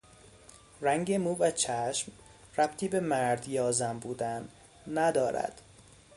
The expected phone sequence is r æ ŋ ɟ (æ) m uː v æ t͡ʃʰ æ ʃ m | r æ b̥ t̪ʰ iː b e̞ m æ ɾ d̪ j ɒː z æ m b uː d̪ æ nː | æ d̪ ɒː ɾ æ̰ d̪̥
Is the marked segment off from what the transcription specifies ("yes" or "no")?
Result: yes